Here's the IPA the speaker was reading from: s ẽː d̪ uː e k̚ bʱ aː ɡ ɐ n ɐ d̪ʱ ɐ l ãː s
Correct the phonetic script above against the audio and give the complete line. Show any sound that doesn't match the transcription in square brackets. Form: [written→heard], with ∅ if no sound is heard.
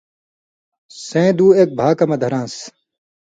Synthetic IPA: s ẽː d̪ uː e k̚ bʱ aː [ɡ→k] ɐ [n→m] ɐ d̪ʱ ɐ [l→ɾ] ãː s